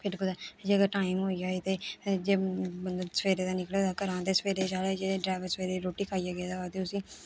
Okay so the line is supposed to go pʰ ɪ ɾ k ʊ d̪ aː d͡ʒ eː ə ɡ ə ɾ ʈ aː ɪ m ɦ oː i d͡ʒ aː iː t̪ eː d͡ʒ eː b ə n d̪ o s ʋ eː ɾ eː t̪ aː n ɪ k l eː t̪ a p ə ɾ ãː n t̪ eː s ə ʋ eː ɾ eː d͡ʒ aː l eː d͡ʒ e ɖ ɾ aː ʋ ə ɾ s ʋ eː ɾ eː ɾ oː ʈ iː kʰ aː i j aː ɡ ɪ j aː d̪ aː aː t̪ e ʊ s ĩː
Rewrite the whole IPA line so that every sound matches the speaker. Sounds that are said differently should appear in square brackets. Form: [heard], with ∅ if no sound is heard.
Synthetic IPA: pʰ ɪ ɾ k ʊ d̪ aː d͡ʒ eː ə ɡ ə ɾ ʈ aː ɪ m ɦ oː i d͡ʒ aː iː t̪ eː d͡ʒ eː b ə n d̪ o s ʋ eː ɾ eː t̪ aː n ɪ k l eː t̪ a [k] ə ɾ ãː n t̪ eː s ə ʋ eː ɾ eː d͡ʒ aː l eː d͡ʒ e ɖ ɾ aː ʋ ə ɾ s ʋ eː ɾ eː ɾ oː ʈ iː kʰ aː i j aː ɡ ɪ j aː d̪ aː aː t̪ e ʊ s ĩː